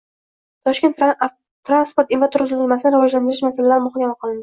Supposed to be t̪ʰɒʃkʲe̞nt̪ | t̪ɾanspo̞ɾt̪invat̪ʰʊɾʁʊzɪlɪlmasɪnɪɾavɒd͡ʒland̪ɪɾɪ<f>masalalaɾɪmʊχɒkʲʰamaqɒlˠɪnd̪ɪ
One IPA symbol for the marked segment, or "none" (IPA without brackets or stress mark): ʃ